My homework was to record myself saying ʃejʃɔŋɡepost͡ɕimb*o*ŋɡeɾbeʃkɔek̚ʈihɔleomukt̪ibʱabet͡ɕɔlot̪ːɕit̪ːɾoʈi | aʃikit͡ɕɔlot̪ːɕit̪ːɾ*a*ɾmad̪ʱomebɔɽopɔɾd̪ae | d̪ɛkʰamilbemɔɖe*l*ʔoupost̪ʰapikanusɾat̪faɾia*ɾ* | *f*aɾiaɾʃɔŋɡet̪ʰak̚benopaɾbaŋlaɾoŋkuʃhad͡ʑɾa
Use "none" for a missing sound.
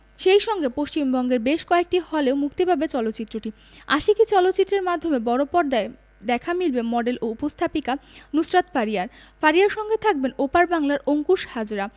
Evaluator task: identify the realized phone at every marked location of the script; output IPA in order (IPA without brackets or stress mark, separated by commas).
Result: ɔ, e, l, ɾ, f